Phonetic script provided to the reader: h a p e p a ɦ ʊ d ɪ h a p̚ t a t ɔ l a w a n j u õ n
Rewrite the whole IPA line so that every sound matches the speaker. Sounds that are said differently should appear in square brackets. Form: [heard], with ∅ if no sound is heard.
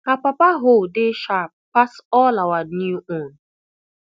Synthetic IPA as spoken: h a p [a] p a ɦ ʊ d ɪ [ʃ] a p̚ [p] a [s] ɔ l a w a n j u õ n

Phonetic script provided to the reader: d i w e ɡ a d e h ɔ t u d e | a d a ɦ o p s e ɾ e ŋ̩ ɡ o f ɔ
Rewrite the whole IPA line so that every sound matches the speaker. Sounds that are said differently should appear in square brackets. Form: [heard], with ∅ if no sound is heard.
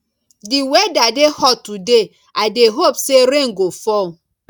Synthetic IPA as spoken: d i w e [d] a d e h ɔ t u d e | a d [e] ɦ o p s e ɾ e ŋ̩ ɡ o f ɔ

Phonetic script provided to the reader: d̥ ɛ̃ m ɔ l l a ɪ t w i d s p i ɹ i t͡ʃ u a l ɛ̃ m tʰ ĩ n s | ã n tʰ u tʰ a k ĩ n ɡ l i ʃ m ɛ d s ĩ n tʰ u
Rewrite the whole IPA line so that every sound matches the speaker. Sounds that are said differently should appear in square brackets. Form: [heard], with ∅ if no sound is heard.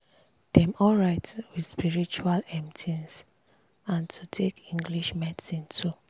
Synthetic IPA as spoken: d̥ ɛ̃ m ɔ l [ɹ] a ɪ t w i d s p i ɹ i t͡ʃ u a l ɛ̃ m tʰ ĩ n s | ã n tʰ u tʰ [e] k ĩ [ŋ] ɡ l i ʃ m ɛ d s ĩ n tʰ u

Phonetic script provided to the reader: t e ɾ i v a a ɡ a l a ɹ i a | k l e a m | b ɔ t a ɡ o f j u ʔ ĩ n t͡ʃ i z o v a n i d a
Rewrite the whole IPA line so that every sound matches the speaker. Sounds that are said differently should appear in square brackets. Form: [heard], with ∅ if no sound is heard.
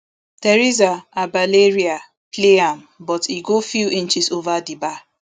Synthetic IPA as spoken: t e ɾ i [z] a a [b] a l [e] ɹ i a | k l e a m | b ɔ t [i] ɡ o f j u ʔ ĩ n t͡ʃ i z o v a [d] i [b] a

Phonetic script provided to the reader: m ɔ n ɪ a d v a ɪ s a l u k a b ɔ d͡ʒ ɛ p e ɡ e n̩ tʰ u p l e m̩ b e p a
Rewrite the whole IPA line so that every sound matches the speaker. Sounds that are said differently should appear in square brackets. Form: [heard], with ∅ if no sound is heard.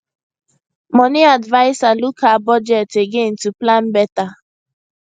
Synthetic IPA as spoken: m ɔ n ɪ a d v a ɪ s a l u k a b ɔ d͡ʒ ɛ [t] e ɡ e n̩ [t] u p l [a] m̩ b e [t] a

